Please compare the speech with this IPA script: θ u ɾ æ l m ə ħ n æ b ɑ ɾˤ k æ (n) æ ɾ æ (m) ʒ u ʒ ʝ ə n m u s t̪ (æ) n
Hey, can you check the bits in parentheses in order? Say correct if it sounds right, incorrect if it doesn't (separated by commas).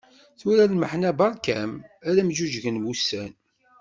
incorrect, correct, correct